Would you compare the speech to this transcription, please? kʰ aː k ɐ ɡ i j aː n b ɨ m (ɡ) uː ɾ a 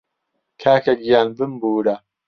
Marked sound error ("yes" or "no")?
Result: yes